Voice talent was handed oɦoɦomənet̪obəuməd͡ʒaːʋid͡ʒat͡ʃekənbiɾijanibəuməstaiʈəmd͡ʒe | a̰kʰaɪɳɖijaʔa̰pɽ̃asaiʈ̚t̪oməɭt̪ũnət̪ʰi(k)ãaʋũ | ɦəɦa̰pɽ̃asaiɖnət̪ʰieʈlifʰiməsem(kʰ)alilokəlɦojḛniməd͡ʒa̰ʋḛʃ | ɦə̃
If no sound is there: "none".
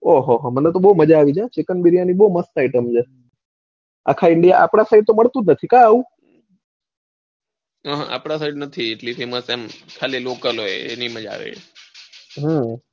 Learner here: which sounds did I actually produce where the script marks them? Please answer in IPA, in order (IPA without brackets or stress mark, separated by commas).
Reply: k, kʰ